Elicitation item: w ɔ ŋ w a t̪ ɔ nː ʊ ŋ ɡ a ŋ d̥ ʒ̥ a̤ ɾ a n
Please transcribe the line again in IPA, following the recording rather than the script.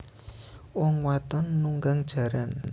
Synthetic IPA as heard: w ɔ ŋ w a t̪ ɔ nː u ŋ ɡ a ŋ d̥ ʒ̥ a̤ ɾ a n